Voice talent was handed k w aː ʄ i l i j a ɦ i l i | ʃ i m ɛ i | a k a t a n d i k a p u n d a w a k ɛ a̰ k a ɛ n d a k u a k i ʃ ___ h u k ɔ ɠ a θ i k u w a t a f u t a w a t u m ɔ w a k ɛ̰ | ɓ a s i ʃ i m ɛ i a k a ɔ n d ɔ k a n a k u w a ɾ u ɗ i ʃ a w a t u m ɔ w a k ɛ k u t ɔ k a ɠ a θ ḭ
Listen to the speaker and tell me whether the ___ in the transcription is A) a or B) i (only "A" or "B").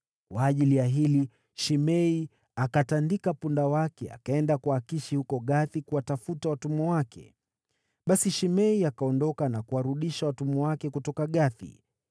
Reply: B